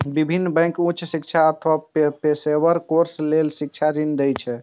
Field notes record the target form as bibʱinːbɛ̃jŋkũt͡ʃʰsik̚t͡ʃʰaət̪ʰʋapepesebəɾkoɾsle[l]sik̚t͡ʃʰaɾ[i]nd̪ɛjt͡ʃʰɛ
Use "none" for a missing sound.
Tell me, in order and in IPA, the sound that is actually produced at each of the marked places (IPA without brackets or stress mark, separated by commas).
l, i